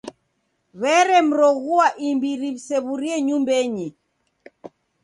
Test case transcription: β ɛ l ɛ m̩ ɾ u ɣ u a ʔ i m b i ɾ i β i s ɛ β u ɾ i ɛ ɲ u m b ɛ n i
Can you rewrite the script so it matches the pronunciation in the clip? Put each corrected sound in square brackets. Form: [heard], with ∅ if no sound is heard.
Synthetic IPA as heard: β ɛ [ɾ] ɛ m̩ ɾ [ɔ] ɣ u a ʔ i m b i ɾ i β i s ɛ β u ɾ i ɛ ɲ u m b ɛ [ɲ] i